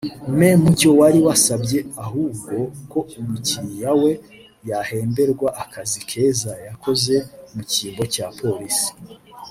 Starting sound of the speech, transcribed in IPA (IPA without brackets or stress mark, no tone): m